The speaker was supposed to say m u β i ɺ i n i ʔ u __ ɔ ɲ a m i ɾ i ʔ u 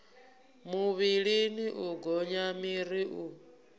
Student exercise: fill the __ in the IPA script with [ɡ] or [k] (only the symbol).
ɡ